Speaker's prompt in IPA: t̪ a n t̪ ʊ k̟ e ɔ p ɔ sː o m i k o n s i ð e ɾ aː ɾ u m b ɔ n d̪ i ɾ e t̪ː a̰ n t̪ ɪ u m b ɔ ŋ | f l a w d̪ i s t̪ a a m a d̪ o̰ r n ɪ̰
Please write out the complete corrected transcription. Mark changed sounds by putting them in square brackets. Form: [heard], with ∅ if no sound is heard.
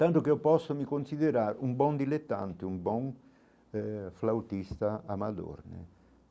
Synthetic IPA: t̪ a n t̪ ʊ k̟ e ɔ p ɔ sː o m i k o n s i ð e ɾ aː ɾ u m b ɔ n d̪ i [l] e t̪ː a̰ n t̪ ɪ u m b ɔ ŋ | f l a w [t̪] i s t̪ a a m a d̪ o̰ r n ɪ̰

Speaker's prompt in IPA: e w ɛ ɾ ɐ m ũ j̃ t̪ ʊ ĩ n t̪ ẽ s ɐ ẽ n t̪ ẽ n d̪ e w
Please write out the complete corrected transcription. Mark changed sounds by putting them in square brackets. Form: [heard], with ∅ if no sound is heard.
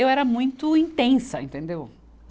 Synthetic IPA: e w ɛ ɾ ɐ m ũ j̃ t̪ ʊ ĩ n t̪ ẽ s ɐ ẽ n t̪ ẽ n d̪ e w

